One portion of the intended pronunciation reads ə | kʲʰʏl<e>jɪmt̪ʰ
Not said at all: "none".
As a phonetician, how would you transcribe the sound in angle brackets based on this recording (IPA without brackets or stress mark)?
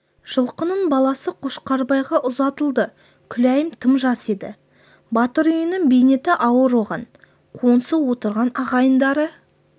æ